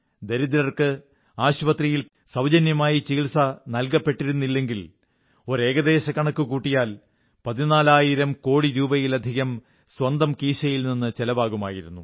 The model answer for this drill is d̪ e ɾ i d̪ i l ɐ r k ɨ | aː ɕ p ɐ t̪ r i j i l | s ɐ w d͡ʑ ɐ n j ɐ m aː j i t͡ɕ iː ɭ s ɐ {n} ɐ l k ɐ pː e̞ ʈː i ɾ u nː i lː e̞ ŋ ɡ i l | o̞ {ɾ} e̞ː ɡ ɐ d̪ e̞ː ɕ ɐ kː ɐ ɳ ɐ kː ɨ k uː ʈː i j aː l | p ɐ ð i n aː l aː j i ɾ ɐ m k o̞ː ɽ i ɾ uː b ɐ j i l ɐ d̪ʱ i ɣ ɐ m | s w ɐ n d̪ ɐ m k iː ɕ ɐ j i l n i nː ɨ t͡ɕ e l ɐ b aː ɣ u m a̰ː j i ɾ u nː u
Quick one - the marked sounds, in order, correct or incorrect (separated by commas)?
correct, correct